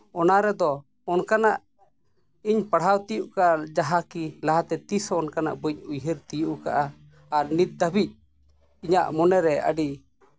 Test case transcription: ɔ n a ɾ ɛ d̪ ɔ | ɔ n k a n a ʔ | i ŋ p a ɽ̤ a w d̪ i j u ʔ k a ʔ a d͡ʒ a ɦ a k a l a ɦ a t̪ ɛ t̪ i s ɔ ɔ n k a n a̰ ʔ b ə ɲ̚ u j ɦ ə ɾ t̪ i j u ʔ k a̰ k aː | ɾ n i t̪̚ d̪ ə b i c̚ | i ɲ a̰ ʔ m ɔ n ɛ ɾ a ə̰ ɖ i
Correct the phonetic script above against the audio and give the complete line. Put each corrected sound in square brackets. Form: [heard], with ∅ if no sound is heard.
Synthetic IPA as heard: ɔ n a ɾ ɛ d̪ ɔ | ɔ n k a n a ʔ | i [ɲ] p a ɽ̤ a w [t̪] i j u ʔ k a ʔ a d͡ʒ a ɦ a k [i] l a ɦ a t̪ ɛ t̪ i s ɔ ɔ n k a n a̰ ʔ b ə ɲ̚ u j ɦ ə ɾ t̪ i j u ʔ k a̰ [ʔ] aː | ɾ n i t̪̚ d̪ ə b i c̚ | i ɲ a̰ ʔ m ɔ n ɛ ɾ [ɛ] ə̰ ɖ i

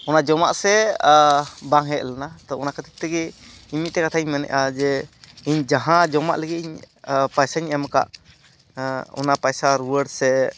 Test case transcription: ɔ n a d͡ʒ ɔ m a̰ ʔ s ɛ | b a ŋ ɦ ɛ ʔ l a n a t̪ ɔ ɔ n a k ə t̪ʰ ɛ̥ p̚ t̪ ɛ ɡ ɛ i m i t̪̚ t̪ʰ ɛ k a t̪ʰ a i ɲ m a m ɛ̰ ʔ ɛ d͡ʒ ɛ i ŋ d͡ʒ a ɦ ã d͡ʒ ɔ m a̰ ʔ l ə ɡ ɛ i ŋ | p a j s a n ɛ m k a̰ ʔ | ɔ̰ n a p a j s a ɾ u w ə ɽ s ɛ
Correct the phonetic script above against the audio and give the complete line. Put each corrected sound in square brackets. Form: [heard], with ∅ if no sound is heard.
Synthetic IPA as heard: ɔ n a d͡ʒ ɔ m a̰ ʔ s ɛ | b a ŋ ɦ ɛ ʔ l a n a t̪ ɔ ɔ n a k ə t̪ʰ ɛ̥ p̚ t̪ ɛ ɡ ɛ i m i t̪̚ [t̪] ɛ k a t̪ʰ a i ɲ m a [n] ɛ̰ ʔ [a] d͡ʒ ɛ i [ɲ] d͡ʒ a ɦ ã d͡ʒ ɔ m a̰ ʔ l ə ɡ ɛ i [ɲ] | p a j s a [ɲ] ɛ m k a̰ ʔ | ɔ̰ n a p a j s a ɾ u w ə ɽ s ɛ

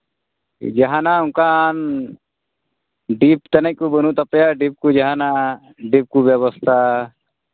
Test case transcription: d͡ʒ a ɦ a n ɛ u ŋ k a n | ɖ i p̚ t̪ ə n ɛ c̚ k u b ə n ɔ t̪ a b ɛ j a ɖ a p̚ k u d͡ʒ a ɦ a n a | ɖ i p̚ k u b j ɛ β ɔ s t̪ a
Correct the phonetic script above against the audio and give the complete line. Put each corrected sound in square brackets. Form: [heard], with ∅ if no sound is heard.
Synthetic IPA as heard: d͡ʒ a ɦ a n [a] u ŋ k a n | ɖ i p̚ t̪ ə n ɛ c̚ k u b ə n [u] t̪ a [p] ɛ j a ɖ [i] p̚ k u d͡ʒ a ɦ a n a | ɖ i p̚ k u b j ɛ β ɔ s [t̪ʰ] a

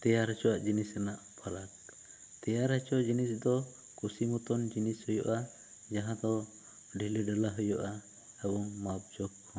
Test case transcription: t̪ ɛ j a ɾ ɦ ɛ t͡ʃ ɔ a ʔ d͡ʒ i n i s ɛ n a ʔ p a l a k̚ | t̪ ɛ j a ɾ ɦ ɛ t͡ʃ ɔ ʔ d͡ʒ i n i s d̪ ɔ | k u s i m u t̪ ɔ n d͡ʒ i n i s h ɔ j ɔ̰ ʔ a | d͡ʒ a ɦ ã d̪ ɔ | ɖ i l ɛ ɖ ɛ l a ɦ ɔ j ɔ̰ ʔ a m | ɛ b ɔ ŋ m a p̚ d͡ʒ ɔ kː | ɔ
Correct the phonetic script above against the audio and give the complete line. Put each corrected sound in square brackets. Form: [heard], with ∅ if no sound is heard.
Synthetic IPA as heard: t̪ ɛ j a ɾ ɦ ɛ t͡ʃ ɔ a ʔ d͡ʒ i n i s ɛ n a ʔ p a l a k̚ | t̪ ɛ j a ɾ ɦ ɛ t͡ʃ ɔ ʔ d͡ʒ i n i s d̪ ɔ | k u s i m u t̪ ɔ n d͡ʒ i n i s h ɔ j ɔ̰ ʔ a | d͡ʒ a ɦ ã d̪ ɔ | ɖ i l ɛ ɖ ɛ l a ɦ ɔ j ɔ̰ ʔ a [∅] | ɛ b ɔ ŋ m a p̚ d͡ʒ ɔ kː | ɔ

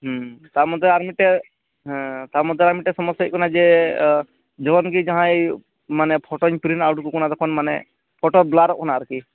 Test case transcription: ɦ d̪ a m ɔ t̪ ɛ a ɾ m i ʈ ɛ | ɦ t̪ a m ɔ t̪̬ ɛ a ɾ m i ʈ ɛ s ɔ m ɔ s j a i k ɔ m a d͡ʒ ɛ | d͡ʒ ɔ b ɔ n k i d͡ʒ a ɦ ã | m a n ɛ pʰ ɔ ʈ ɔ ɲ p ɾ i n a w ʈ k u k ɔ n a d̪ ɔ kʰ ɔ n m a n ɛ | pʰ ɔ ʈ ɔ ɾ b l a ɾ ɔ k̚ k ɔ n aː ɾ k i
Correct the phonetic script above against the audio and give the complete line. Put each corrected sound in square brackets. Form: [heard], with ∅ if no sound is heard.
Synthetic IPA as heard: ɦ [t̪] a m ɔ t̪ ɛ a ɾ m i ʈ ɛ | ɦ t̪ a m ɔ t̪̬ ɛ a ɾ m i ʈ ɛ s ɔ m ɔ s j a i k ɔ [n] a d͡ʒ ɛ | d͡ʒ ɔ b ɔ n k i d͡ʒ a ɦ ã | m a n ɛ pʰ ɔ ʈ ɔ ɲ p ɾ i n a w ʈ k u k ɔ n a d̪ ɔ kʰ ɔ n m a n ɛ | pʰ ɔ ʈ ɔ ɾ b l a ɾ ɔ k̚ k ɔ n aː ɾ k i

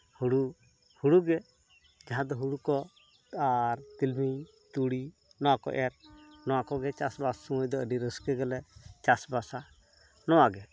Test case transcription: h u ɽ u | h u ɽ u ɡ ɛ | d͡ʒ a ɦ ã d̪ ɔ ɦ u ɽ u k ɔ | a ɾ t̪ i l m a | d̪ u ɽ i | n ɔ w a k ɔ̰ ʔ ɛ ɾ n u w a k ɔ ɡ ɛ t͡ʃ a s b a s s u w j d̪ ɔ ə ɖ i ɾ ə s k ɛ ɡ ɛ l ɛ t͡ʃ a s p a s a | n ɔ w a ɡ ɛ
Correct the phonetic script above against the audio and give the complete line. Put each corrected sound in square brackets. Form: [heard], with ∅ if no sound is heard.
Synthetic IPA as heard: h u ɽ u | h u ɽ u ɡ ɛ | d͡ʒ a ɦ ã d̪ ɔ ɦ u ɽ u k ɔ | a ɾ t̪ i l m [i] | [t̪] u ɽ i | n ɔ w a k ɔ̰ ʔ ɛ ɾ n [ɔ] w a k ɔ ɡ ɛ t͡ʃ a s b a s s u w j d̪ ɔ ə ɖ i ɾ ə s k ɛ ɡ ɛ l ɛ t͡ʃ a s [b] a s a | n ɔ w a ɡ ɛ

